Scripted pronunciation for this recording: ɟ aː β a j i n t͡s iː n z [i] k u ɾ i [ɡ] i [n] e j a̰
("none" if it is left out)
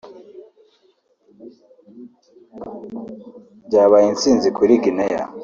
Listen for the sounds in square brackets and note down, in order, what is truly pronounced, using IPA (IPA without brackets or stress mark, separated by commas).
i, ɡ, n